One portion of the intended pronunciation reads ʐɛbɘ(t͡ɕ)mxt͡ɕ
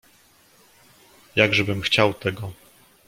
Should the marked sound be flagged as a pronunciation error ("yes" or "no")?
yes